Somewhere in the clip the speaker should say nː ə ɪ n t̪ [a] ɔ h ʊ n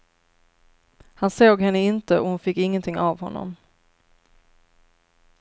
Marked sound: incorrect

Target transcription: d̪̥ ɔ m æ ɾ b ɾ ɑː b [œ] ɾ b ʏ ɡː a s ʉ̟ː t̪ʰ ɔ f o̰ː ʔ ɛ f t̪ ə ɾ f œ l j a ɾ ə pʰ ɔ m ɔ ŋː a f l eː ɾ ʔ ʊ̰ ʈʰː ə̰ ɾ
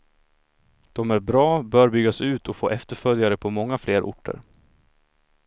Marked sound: incorrect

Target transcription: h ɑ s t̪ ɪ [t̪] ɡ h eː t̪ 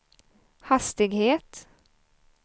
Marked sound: incorrect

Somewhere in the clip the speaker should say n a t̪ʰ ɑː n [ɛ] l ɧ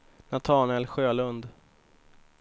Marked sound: correct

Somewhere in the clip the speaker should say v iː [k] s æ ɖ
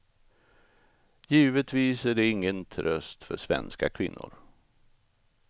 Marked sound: incorrect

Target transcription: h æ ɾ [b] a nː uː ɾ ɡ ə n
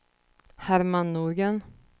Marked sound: incorrect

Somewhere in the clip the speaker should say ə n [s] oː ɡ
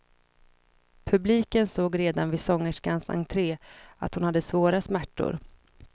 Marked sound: correct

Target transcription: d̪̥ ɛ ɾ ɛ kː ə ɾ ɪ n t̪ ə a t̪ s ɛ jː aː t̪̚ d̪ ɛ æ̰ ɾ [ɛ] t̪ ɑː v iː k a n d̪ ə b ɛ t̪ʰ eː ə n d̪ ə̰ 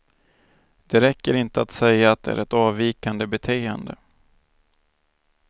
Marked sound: correct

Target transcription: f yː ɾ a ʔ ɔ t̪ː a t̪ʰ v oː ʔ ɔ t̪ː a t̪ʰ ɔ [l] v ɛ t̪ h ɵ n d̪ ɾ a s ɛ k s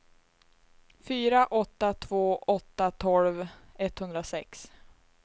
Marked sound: correct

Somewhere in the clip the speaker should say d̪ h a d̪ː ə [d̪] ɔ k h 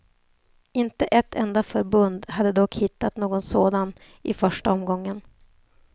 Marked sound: correct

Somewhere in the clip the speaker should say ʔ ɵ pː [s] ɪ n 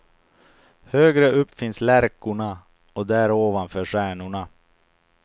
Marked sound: incorrect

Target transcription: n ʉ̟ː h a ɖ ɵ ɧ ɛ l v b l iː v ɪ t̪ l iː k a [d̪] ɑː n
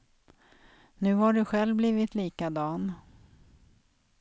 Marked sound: correct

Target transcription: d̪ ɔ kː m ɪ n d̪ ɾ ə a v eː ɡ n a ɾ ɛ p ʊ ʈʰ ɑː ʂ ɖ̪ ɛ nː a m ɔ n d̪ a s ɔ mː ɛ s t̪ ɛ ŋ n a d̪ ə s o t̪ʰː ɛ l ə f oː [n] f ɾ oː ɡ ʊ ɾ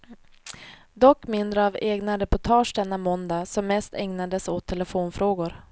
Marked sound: correct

